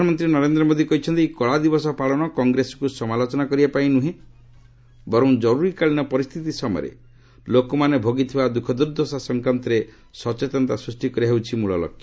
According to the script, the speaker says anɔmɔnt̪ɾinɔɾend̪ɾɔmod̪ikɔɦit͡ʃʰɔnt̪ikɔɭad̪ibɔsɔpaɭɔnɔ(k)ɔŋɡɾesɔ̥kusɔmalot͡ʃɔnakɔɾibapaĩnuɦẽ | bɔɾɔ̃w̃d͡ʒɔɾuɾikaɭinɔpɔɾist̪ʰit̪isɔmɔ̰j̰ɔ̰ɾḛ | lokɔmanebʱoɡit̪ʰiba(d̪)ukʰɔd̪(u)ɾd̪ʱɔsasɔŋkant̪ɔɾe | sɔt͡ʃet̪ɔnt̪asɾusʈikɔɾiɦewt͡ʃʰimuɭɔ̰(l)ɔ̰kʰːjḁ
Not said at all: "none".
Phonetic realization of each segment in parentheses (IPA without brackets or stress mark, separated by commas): k, d̪, u, l